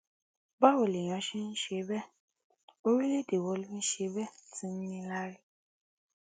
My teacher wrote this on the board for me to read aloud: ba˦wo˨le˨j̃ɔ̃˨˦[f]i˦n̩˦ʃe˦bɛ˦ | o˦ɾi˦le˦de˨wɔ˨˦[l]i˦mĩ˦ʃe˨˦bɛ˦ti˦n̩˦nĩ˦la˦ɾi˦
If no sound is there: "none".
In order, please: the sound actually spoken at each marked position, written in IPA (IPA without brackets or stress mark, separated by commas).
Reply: ʃ, l